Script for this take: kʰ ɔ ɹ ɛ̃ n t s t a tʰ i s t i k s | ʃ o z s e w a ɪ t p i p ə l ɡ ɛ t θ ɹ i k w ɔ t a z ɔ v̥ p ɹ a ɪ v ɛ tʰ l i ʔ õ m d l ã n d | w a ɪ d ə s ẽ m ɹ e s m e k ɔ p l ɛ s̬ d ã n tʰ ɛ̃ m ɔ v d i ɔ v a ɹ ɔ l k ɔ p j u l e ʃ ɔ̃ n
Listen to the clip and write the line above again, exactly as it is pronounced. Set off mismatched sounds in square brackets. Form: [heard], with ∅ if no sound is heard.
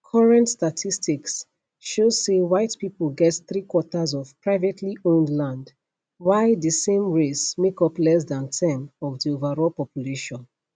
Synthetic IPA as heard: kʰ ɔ ɹ ɛ̃ n t s t a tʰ i s t i k s | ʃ o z s e w a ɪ t p i p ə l ɡ ɛ t θ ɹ i k w ɔ t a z ɔ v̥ p ɹ a ɪ v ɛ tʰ l i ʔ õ [n] d l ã n d | w a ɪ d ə s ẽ m ɹ e s m e k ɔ p l ɛ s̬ d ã n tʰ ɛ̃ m ɔ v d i [o] v a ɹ ɔ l [p] ɔ p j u l e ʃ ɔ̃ n